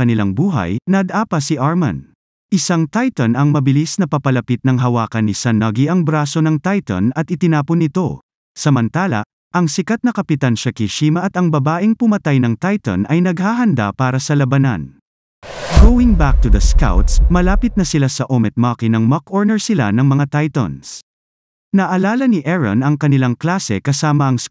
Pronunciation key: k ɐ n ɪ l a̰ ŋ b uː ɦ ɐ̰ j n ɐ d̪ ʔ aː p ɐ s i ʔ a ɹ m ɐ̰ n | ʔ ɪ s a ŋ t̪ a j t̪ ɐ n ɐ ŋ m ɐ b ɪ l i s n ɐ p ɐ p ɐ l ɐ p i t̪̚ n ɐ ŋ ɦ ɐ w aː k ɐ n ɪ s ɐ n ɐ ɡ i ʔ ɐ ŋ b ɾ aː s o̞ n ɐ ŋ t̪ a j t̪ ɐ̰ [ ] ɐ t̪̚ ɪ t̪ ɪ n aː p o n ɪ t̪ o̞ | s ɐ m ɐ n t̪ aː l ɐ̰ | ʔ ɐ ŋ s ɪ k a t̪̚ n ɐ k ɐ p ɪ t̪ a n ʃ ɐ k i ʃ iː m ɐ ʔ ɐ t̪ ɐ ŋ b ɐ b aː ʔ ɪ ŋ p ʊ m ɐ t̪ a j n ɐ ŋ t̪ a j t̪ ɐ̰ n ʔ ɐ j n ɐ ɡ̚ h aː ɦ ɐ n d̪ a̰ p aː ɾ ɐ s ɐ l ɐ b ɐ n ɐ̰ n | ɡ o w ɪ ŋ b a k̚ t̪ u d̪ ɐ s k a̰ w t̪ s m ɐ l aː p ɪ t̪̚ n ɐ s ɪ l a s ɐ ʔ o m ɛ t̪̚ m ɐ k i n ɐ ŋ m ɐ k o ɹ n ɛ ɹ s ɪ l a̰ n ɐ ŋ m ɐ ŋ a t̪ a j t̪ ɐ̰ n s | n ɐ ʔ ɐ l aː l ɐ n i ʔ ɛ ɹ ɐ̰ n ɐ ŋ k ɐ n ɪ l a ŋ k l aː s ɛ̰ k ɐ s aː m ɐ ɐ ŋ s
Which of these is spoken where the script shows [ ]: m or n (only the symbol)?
n